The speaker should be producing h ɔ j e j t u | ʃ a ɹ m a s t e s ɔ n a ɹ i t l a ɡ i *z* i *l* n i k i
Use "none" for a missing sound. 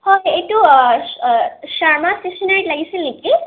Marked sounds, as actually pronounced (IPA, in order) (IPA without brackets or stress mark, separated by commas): s, l